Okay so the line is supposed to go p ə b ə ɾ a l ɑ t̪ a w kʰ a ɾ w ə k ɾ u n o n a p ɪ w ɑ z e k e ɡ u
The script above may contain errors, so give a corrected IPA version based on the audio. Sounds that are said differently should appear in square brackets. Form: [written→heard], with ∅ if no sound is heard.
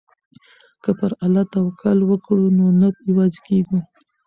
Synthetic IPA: [p→k] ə [b→p] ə ɾ a l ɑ t̪ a w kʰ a [ɾ→l] w ə k [ɾ→ɽ] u n o n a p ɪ w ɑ z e k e ɡ u